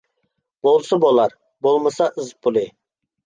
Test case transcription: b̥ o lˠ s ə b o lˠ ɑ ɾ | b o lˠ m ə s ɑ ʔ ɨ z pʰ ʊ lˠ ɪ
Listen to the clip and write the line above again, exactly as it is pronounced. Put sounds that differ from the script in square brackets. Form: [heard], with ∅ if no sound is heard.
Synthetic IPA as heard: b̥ o lˠ s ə b o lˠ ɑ ɾ | b o lˠ m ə s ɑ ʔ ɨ z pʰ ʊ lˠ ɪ